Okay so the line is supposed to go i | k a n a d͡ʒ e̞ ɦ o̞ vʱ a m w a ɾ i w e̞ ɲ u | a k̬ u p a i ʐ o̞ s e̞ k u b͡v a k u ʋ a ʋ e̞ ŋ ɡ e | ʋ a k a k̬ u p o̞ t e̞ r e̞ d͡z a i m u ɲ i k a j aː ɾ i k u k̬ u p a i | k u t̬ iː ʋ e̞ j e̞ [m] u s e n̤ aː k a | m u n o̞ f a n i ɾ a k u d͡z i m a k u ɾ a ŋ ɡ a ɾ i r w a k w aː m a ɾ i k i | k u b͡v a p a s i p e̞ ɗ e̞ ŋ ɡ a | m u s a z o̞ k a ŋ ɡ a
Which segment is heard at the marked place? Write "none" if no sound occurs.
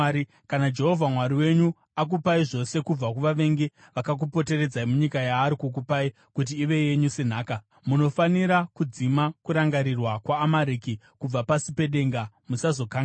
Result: ɲ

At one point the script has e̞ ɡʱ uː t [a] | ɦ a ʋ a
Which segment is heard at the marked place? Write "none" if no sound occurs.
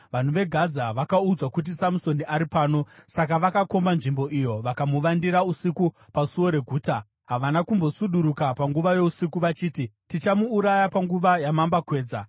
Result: a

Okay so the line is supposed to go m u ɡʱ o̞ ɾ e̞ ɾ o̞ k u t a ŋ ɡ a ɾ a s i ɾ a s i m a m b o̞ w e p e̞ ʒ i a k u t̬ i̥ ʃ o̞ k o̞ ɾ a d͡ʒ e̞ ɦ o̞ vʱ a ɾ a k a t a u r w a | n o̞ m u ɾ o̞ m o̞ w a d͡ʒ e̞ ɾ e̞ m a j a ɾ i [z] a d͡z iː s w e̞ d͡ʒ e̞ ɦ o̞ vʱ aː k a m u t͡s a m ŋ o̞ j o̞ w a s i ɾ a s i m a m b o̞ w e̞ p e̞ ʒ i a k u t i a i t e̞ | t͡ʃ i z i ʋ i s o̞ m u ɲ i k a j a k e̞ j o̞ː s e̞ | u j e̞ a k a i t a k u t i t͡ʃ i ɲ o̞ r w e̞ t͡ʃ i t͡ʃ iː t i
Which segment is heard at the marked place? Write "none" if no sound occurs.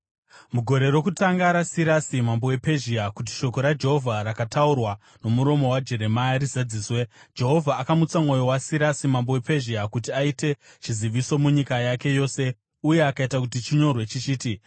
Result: z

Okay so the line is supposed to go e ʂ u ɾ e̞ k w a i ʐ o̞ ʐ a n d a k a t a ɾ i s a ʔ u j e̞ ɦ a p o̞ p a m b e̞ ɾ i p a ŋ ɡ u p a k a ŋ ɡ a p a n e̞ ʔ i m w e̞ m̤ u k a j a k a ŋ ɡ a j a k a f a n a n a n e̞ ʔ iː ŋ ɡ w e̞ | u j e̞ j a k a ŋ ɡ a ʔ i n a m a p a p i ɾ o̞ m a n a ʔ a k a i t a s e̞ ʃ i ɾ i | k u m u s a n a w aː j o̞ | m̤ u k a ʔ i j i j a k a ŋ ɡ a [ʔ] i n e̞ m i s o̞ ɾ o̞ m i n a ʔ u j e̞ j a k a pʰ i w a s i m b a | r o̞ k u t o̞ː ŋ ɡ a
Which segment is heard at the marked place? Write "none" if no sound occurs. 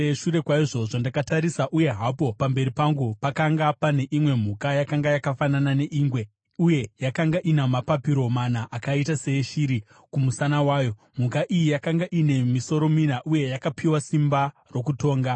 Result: ʔ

